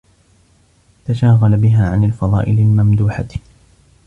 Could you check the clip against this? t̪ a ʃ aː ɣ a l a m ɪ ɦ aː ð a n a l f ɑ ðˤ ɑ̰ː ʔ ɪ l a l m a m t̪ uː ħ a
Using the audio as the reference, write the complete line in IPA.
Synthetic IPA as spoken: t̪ a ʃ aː ɣ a l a b ɪ ɦ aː ʕ a n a l f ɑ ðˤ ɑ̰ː ʔ ɪ l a l m a m d̪ uː ħ a

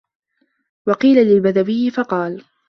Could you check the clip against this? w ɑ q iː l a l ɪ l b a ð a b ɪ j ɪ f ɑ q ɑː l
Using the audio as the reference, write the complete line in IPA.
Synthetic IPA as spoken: w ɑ q iː l a l ɪ l b a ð a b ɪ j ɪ f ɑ q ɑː l

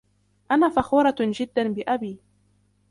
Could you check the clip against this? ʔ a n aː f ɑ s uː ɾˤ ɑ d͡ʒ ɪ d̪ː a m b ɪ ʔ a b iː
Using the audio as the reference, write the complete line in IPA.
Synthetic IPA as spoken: ʔ a n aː f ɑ x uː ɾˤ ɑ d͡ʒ ɪ d̪ː a n b ɪ ʔ a b iː

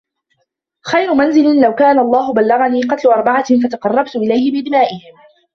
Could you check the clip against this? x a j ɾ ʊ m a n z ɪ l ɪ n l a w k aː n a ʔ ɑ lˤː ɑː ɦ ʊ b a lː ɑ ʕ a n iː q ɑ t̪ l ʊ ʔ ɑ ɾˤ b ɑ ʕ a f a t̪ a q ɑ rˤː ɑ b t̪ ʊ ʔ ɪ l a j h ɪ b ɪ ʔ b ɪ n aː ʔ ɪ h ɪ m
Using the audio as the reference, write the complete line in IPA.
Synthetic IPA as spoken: x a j ɾ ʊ m a n z ɪ l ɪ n l a w k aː n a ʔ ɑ lˤː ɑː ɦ ʊ b a lː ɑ ɣ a n iː q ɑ t̪ l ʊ ʔ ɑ ɾˤ b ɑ ʕ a f a t̪ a q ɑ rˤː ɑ b t̪ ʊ ʔ ɪ l a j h ɪ b ɪ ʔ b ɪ n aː ʔ ɪ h ɪ m

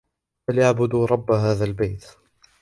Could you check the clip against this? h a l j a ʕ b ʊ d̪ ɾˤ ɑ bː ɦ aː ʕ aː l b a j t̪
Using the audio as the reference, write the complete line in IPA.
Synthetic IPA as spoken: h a l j a ʕ b ʊ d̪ ɾˤ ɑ bː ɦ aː ð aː l b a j t̪

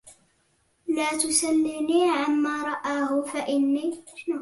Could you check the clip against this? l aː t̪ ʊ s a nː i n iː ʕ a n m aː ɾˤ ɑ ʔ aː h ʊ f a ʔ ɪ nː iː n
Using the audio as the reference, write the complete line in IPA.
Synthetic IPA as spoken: l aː t̪ ʊ s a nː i n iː ʕ a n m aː ɾˤ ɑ ʔ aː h ʊ f a ʔ ɪ nː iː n

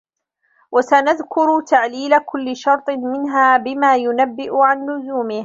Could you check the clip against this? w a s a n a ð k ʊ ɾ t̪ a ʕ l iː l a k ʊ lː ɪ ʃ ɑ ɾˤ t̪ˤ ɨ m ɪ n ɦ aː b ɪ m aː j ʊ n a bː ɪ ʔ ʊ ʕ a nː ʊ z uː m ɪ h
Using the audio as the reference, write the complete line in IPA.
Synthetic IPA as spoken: w a s a n a ð k ʊ ɾ t̪ a ʕ l iː l a k ʊ lː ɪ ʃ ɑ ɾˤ t̪ˤ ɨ m ɪ n ɦ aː b ɪ m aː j ʊ n a bː ɪ ʔ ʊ ʕ a nː ʊ z uː m ɪ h

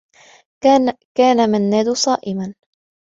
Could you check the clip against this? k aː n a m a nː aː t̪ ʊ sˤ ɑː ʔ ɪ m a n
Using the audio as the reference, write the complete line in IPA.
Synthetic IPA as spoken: k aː n a m a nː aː d̪ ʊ sˤ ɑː ʔ ɪ m a n

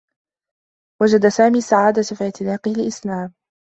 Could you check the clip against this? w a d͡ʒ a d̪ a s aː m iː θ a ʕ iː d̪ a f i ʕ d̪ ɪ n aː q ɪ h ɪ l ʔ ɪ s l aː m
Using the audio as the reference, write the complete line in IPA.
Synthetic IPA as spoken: w a d͡ʒ a d̪ a s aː m iː s a ʕ aː d̪ a f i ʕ t̪ ɪ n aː q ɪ h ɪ l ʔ ɪ s l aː m

